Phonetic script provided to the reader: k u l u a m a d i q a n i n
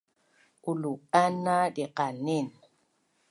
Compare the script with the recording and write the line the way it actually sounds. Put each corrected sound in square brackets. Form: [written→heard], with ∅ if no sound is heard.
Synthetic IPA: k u l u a [m→n] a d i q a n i n

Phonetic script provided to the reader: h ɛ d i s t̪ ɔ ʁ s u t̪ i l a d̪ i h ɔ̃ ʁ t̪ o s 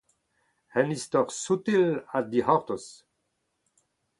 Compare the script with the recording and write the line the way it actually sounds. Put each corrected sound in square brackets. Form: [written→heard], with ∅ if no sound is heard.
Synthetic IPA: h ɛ [d→n] i s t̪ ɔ ʁ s u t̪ i l a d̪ i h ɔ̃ ʁ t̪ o s

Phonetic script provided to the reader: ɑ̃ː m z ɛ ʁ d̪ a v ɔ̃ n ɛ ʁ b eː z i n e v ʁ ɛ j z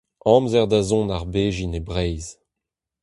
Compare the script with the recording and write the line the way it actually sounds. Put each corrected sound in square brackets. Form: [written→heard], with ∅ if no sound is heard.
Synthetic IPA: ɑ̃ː m z ɛ ʁ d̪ a [v→z] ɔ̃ n [ɛ→a] ʁ b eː [z→ʒ] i n e [v→b] ʁ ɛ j z

